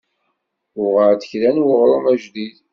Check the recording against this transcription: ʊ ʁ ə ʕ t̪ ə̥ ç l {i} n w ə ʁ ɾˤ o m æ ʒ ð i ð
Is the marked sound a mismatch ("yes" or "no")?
yes